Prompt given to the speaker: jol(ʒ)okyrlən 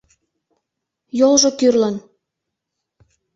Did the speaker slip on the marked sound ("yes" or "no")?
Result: no